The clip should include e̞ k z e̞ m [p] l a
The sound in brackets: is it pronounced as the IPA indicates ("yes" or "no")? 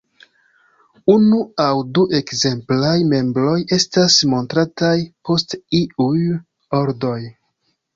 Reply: yes